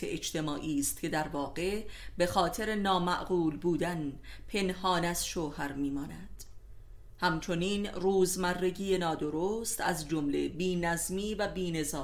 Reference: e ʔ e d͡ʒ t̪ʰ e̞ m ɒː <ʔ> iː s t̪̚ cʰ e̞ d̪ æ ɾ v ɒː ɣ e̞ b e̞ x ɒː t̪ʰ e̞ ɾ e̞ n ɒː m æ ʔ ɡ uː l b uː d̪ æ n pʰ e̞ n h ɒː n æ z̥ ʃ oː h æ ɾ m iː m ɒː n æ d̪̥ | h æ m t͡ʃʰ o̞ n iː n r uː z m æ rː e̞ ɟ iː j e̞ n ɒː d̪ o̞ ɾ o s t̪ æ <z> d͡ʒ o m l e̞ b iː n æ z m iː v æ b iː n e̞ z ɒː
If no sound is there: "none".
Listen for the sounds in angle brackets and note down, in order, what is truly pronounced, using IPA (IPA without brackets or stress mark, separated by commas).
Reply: ʔ, z